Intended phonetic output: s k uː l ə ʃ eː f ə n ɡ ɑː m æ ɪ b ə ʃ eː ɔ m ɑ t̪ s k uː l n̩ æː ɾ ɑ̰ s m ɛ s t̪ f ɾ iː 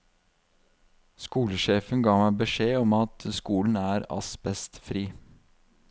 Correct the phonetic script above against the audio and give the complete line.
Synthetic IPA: s k uː l ə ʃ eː f ə n ɡ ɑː m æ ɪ b ə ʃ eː ɔ m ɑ t̪ s k uː l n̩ æː ɾ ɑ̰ s b ɛ s t̪ f ɾ iː